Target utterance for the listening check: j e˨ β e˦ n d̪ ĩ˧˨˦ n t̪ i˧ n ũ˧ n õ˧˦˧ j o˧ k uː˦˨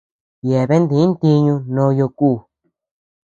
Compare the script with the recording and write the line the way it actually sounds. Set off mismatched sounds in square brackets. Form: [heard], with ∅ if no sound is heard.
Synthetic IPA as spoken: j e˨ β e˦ n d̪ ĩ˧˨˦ n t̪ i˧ [ɲ] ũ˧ n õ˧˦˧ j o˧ k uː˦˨